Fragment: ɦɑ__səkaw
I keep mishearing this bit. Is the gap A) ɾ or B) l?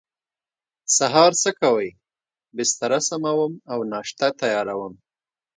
A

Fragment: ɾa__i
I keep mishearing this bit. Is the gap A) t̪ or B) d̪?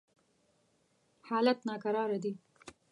B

